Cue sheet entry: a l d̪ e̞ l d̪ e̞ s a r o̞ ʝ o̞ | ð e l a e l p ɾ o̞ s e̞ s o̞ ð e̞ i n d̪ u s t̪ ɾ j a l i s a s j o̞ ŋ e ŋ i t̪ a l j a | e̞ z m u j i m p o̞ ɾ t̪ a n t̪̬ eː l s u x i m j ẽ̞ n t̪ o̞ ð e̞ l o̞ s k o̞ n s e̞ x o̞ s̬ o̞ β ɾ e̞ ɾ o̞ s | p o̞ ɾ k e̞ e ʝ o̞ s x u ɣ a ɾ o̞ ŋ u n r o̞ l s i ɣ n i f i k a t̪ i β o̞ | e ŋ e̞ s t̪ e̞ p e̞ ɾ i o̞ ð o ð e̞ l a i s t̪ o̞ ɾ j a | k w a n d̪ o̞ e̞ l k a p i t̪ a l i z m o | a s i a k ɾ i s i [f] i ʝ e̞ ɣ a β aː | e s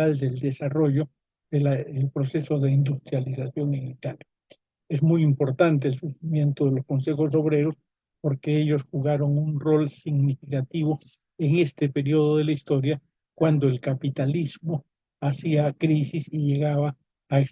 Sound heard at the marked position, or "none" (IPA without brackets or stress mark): s